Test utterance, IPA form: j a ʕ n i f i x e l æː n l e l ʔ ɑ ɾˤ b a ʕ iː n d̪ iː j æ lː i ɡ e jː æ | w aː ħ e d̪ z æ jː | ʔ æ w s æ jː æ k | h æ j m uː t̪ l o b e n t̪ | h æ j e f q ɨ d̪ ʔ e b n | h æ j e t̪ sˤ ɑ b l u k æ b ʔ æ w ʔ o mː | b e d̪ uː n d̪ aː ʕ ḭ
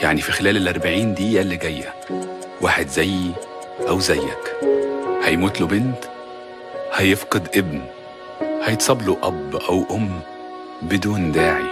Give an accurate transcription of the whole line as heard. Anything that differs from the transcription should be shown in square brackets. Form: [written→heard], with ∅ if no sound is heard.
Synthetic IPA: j a ʕ n i f i x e l æː [n→∅] l e l ʔ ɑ ɾˤ b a ʕ iː n d̪ iː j æ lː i ɡ [e→æ] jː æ | w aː ħ e d̪ z æ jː | ʔ æ w [s→z] æ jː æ k | h æ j m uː t̪ l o b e n t̪ | h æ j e f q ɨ d̪ ʔ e b n | h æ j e t̪ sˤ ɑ b l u [k→ʔ] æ b ʔ æ w ʔ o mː | b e d̪ uː n d̪ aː ʕ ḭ